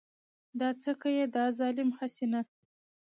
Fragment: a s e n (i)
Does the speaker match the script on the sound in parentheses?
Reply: no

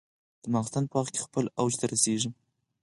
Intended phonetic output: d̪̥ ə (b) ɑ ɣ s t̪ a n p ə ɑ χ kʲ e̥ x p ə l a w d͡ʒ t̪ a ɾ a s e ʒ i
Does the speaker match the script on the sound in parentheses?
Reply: no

